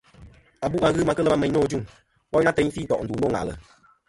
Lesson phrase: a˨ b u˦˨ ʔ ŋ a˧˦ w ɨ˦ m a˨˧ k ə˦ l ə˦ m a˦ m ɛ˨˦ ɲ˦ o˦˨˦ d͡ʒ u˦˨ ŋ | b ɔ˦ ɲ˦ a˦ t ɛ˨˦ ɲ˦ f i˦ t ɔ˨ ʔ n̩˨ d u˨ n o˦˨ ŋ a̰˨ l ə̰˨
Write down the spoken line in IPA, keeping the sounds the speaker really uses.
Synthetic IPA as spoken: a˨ b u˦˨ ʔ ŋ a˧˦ ɣ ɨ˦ m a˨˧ k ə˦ l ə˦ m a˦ m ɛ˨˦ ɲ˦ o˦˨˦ d͡ʒ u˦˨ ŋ | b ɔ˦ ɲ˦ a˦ t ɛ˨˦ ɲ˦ f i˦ t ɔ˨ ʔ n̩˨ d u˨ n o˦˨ ŋ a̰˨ l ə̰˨